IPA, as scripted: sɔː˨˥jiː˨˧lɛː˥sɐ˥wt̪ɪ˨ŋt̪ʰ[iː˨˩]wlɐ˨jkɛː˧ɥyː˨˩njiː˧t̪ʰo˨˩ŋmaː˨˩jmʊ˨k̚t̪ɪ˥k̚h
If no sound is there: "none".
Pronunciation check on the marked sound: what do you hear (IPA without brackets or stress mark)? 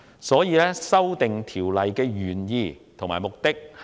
iː˨˩